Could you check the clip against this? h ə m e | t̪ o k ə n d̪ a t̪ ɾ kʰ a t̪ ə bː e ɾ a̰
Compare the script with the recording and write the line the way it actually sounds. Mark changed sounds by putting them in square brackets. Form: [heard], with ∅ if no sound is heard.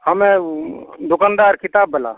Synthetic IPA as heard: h ə m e | [d̪] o k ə n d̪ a [∅] ɾ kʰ [i] t̪ [a] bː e [l] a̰